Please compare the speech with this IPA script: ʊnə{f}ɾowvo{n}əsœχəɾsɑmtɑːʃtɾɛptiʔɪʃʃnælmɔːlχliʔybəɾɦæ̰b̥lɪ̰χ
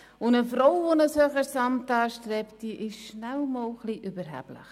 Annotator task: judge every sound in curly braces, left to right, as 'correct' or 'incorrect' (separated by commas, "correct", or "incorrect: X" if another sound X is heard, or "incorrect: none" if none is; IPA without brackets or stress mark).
correct, correct